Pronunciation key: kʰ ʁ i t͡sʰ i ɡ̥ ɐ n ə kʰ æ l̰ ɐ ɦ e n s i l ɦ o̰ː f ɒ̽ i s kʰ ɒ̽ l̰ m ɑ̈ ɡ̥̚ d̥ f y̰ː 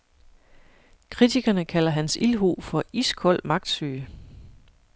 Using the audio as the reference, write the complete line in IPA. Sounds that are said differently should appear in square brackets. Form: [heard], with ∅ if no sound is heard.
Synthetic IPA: kʰ ʁ i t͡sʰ i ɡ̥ ɐ n ə kʰ æ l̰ ɐ ɦ [æ] n s i l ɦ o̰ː f ɒ̽ i s kʰ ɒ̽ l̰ m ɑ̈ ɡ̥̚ d̥ [s] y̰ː